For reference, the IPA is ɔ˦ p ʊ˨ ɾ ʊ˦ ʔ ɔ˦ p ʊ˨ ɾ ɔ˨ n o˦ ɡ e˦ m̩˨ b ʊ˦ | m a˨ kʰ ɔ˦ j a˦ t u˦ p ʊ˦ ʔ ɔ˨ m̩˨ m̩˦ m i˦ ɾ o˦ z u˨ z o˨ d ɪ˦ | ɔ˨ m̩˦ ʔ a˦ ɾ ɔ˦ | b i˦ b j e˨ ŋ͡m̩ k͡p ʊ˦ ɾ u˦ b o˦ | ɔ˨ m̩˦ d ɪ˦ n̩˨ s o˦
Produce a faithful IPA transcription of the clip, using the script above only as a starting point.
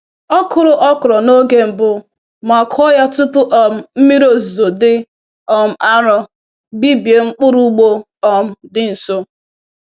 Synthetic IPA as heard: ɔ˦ k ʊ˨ ɾ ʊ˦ ʔ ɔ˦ k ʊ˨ ɾ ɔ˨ n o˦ ɡ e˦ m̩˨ b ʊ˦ | m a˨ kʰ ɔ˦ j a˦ t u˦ p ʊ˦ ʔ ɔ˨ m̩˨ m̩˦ m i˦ ɾ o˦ z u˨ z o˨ d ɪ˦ | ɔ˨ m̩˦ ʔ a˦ ɾ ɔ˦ | b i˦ b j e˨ ŋ͡m̩ k͡p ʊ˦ ɾ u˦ ɡ͡b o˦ | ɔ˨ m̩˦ d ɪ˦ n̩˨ s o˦